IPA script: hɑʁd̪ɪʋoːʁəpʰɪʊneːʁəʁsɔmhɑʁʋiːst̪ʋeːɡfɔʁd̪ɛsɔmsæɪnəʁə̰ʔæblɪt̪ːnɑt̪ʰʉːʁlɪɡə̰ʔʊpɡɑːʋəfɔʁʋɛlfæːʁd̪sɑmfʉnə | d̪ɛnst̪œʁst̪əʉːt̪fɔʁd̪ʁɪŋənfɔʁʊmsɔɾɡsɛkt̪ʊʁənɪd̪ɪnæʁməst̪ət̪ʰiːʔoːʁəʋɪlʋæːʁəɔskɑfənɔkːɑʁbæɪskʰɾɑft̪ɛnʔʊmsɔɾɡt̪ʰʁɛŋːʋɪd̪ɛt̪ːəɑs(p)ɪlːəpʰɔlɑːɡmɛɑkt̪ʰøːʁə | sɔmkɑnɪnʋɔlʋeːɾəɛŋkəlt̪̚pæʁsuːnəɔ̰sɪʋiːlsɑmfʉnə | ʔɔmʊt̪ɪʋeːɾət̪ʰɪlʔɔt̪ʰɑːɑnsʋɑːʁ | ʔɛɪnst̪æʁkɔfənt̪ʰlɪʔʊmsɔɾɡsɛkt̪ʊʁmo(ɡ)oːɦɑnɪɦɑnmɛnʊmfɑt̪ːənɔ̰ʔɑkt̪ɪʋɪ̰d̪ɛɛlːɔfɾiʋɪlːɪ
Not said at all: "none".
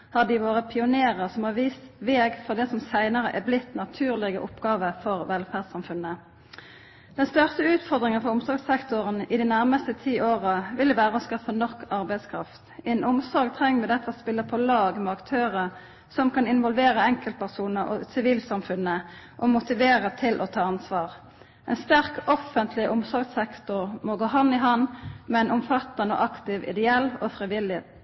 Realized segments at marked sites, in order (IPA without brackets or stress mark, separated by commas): p, ɡ